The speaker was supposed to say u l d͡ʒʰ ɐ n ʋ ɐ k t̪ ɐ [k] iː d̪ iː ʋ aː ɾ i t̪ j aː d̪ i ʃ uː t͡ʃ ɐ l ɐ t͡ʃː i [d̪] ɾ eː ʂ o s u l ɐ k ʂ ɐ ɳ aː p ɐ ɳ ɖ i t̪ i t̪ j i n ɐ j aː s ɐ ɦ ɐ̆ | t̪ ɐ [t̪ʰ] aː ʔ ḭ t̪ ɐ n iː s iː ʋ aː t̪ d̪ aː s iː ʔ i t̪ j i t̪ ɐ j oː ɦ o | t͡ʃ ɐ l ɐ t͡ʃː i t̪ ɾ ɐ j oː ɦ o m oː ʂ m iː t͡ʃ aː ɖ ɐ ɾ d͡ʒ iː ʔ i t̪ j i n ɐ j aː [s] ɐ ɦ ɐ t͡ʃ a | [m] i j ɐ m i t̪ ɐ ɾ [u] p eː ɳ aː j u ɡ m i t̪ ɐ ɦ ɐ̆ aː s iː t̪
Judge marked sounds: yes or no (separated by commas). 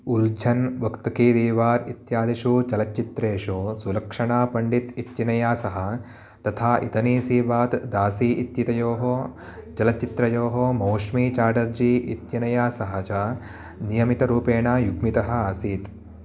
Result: yes, no, yes, yes, no, no